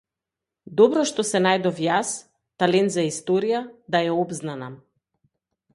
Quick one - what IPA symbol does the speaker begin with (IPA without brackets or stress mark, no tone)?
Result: d̪